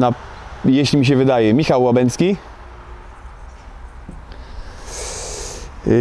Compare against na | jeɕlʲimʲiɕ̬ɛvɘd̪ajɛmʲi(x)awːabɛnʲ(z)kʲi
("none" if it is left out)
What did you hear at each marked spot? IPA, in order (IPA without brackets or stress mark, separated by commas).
x, s